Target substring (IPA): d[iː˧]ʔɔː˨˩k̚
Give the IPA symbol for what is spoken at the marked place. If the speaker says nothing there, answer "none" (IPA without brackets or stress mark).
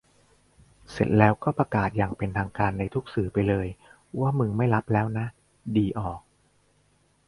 iː˧